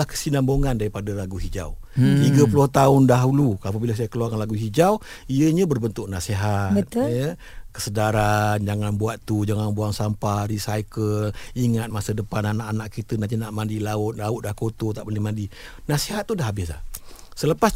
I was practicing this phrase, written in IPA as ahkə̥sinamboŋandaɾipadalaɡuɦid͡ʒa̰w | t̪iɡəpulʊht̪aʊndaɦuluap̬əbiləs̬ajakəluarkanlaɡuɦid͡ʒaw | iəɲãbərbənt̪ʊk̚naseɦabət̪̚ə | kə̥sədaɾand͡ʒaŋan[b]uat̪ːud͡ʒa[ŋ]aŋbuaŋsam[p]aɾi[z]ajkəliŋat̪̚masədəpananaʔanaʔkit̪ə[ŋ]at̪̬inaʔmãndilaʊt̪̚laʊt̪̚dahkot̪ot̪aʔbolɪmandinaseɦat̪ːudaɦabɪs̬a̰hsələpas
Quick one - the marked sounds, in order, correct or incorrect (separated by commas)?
correct, correct, correct, incorrect, incorrect